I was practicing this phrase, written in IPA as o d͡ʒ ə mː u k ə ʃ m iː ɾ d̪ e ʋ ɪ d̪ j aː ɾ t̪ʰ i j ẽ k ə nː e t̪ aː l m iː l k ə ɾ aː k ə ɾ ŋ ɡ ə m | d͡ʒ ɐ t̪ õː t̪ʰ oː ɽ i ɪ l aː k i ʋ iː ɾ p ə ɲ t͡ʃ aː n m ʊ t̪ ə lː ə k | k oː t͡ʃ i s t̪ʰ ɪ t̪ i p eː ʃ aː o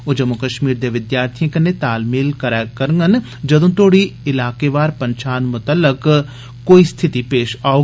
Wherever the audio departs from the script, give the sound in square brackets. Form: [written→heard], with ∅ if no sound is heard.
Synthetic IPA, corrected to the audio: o d͡ʒ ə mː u k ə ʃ m iː ɾ d̪ e ʋ ɪ d̪ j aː ɾ t̪ʰ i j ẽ k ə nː e t̪ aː l m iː l k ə ɾ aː k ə ɾ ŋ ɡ ə [m→n] | d͡ʒ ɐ [t̪→d̪] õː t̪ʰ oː ɽ i ɪ l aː k [i→e] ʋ [iː→aː] ɾ p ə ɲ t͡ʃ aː n m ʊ t̪ ə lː ə k | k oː [t͡ʃ→∅] i s t̪ʰ ɪ t̪ i p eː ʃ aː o